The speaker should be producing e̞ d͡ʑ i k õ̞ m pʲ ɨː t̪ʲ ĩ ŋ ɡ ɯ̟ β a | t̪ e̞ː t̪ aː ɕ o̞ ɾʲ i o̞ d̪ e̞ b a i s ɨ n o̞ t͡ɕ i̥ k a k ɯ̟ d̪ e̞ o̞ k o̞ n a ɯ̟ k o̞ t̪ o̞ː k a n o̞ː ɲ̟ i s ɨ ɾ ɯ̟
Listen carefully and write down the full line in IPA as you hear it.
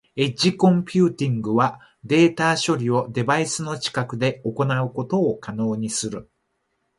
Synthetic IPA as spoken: e̞ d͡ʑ i k õ̞ m pʲ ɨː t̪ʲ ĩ ŋ ɡ ɯ̟ β a | d̪ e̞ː t̪ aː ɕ o̞ ɾʲ i o̞ d̪ e̞ b a i s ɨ n o̞ t͡ɕ i̥ k a k ɯ̟ d̪ e̞ o̞ k o̞ n a ɯ̟ k o̞ t̪ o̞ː k a n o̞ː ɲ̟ i s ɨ ɾ ɯ̟

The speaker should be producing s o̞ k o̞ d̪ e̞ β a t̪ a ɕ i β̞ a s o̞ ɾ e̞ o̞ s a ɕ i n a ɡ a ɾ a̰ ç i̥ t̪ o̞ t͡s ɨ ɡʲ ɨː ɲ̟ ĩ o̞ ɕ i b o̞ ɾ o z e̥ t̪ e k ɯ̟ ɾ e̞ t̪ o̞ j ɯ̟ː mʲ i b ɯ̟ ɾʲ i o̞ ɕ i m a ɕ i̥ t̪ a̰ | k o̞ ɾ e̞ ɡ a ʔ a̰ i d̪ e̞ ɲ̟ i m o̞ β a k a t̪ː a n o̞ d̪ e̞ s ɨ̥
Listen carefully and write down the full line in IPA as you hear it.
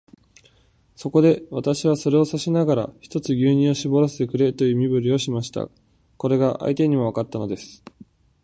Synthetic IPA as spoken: s o̞ k o̞ d̪ e̞ β a t̪ a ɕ i β̞ a s o̞ ɾ e̞ o̞ s a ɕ i n a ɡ a ɾ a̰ ç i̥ t̪ o̞ t͡s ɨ ɡʲ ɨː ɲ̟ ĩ o̞ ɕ i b o̞ ɾ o s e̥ t̪ e k ɯ̟ ɾ e̞ t̪ o̞ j ɯ̟ː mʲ i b ɯ̟ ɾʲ i o̞ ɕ i m a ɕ i̥ t̪ a̰ | k o̞ ɾ e̞ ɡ a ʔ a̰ i t̪ e̞ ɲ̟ i m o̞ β a k a t̪ː a n o̞ d̪ e̞ s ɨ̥

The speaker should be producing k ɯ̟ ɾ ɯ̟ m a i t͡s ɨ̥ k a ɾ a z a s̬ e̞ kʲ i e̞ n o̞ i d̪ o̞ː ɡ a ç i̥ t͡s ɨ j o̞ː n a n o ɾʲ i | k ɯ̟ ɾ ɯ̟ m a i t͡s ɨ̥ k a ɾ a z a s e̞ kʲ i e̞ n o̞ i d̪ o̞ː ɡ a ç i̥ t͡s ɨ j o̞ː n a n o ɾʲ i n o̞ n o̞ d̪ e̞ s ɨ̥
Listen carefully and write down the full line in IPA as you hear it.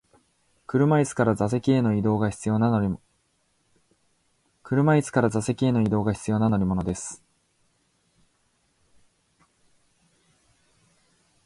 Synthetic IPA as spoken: k ɯ̟ ɾ ɯ̟ m a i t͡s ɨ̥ k a ɾ a z a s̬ e̞ kʲ i e̞ n o̞ i d̪ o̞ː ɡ a ç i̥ t͡s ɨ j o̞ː n a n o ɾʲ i | k ɯ̟ ɾ ɯ̟ m a i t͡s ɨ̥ k a ɾ a z a s e̞ kʲ i e̞ n o̞ i d̪ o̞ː ɡ a ç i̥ t͡s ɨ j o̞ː n a n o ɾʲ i m o̞ n o̞ d̪ e̞ s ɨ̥

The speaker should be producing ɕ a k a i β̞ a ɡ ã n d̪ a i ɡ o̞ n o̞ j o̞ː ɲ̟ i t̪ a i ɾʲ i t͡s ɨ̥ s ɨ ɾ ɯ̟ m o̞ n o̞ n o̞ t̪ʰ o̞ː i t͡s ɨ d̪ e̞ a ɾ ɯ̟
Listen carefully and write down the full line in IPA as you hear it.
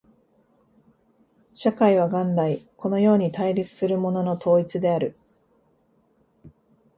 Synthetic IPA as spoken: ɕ a k a i β̞ a ɡ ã n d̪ a i k o̞ n o̞ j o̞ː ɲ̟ i t̪ a i ɾʲ i t͡s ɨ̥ s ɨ ɾ ɯ̟ m o̞ n o̞ n o̞ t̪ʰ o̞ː i t͡s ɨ d̪ e̞ a ɾ ɯ̟

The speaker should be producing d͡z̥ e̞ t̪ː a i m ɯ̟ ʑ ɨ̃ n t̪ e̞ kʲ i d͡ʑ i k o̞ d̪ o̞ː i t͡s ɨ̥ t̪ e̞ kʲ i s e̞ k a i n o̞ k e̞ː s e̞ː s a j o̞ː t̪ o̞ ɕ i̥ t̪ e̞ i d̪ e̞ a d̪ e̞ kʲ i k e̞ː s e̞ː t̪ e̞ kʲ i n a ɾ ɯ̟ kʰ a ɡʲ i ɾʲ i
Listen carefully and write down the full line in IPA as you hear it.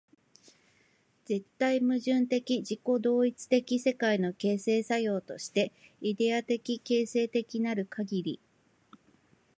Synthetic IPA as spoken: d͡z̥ e̞ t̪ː a i m ɯ̟ ʑ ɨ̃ n t̪ e̞ kʲ i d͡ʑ i k o̞ d̪ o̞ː i t͡s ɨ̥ t̪ e̞ kʲ i s e̞ k a i n o̞ k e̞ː s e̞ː s a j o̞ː t̪ o̞ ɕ i̥ t̪ e̞ i d̪ e̞ a t̪ e̞ kʲ i k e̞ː s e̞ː t̪ e̞ kʲ i n a ɾ ɯ̟ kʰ a ɡʲ i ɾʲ i

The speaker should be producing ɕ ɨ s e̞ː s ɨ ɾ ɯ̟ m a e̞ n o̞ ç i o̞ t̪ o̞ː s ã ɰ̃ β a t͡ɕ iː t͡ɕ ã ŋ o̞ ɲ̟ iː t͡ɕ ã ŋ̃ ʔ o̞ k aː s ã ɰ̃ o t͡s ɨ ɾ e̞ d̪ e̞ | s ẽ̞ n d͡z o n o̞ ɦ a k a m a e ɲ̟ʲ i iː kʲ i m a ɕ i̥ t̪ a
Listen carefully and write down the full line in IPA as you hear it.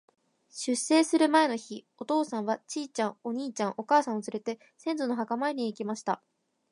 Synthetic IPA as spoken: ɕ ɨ s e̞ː s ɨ ɾ ɯ̟ m a e̞ n o̞ ç i o̞ t̪ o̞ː s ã ɰ̃ β a t͡ɕ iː t͡ɕ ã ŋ o̞ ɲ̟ iː t͡ɕ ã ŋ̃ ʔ o̞ k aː s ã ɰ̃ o t͡s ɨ ɾ e̞ t̪ e̞ | s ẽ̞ n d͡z o n o̞ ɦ a k a m a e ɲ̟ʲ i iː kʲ i m a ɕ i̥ t̪ a

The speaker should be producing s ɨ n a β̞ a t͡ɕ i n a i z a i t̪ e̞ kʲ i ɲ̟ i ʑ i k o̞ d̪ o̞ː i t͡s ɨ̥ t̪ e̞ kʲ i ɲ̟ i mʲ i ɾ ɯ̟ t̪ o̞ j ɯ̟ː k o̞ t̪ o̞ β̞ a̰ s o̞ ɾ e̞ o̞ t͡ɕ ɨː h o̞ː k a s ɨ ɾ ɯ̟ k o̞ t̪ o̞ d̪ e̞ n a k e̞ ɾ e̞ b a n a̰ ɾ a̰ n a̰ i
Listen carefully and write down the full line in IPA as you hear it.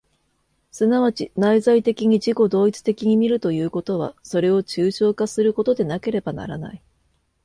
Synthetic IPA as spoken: s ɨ n a β̞ a t͡ɕ i n a i z a i t̪ e̞ kʲ i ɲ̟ i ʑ i k o̞ d̪ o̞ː i t͡s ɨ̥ t̪ e̞ kʲ i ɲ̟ i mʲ i ɾ ɯ̟ t̪ o̞ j ɯ̟ː k o̞ t̪ o̞ β̞ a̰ s o̞ ɾ e̞ o̞ t͡ɕ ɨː ɕ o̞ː k a s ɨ ɾ ɯ̟ k o̞ t̪ o̞ d̪ e̞ n a k e̞ ɾ e̞ b a n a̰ ɾ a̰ n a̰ i

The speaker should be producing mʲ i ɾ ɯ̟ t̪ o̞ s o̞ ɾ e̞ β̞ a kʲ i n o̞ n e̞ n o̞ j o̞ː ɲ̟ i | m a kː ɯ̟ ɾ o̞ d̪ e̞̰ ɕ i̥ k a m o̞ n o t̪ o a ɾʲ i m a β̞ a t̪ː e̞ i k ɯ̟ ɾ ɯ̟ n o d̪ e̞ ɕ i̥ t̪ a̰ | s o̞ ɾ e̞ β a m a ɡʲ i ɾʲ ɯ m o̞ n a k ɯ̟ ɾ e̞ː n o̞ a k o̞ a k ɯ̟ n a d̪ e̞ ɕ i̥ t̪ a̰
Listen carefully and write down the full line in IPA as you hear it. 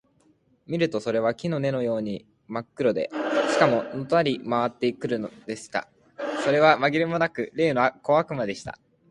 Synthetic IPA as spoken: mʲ i ɾ ɯ̟ t̪ o̞ s o̞ ɾ e̞ β̞ a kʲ i n o̞ n e̞ n o̞ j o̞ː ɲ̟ i | m a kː ɯ̟ ɾ o̞ d̪ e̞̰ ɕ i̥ k a m o̞ n o t̪ o a ɾʲ i m a β̞ a t̪ː e̞ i k ɯ̟ ɾ ɯ̟ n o d̪ e̞ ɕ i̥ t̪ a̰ | s o̞ ɾ e̞ β a m a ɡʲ i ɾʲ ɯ m o̞ n a k ɯ̟ ɾ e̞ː n o̞ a k o̞ a k ɯ̟ m a d̪ e̞ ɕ i̥ t̪ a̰

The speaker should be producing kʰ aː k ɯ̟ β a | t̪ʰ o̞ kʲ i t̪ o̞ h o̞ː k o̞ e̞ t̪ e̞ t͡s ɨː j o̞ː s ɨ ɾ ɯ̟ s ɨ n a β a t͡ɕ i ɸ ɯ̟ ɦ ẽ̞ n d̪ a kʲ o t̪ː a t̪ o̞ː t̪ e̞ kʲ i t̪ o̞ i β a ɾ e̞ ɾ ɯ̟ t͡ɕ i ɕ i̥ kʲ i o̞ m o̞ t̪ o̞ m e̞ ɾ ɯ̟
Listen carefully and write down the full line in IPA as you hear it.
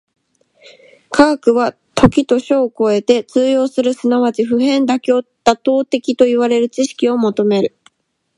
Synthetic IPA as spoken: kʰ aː k ɯ̟ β a | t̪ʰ o̞ kʲ i t̪ o̞ ɕ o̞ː k o̞ e̞ t̪ e̞ t͡s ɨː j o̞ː s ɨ ɾ ɯ̟ s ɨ n a β a t͡ɕ i ɸ ɯ̟ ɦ ẽ̞ n d̪ a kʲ o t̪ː a t̪ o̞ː t̪ e̞ kʲ i t̪ o̞ i β a ɾ e̞ ɾ ɯ̟ t͡ɕ i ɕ i̥ kʲ i o̞ m o̞ t̪ o̞ m e̞ ɾ ɯ̟

